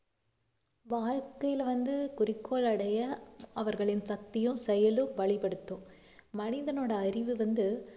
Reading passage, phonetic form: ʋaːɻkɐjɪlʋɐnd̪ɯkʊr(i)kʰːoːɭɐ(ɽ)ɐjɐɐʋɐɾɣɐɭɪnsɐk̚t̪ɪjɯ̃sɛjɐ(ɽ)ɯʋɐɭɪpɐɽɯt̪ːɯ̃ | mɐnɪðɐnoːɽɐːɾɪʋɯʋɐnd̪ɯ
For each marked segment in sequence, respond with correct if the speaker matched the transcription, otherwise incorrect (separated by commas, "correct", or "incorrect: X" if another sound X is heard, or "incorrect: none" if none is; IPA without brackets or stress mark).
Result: incorrect: ɪ, correct, incorrect: l